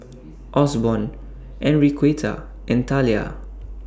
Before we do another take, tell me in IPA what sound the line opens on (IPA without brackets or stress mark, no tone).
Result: ʔ